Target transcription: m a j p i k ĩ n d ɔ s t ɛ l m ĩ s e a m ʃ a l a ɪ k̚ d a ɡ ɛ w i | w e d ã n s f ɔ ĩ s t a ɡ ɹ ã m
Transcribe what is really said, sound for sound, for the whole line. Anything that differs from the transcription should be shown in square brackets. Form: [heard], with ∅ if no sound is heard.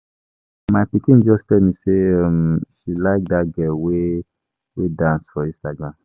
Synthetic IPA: m a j p i k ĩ n [d͡ʒ] ɔ s t ɛ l m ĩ s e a m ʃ [i] l a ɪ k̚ d a ɡ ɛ w [e] | w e d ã n s f ɔ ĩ s t a ɡ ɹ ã m